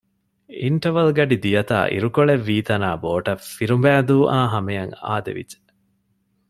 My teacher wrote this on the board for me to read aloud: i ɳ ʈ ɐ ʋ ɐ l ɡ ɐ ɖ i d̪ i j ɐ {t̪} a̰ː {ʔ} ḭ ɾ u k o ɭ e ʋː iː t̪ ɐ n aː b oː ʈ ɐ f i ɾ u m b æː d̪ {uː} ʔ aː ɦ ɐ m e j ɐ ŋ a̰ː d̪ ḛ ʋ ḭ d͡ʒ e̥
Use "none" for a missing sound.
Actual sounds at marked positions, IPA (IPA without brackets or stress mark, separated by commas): t̪, ʔ, uː